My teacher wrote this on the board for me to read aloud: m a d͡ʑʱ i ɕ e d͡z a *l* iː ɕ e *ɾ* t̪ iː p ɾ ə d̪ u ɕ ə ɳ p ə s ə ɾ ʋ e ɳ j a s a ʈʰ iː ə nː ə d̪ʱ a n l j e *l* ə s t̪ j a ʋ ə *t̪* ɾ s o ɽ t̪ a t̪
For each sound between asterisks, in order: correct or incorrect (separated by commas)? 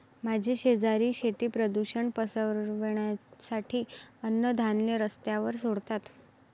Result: incorrect, incorrect, incorrect, incorrect